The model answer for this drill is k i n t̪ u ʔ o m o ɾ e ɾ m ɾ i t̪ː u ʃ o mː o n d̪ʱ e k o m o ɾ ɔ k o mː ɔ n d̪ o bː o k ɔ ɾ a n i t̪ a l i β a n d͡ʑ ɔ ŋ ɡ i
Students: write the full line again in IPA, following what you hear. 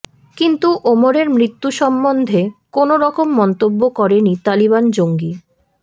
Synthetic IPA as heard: k i n t̪ u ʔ o m o ɾ e ɾ m ɾ i t̪ː u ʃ ɔ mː o n d̪ʱ e k o n o ɾ ɔ k o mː ɔ n t̪ o bː o k ɔ ɾ e n i t̪ a l i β a n d͡ʑ o ŋ ɡ i